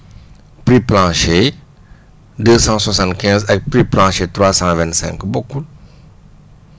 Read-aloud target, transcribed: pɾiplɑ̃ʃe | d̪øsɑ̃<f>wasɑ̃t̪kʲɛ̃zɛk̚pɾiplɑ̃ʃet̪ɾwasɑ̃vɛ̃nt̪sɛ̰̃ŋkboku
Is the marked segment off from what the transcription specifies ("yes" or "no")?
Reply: yes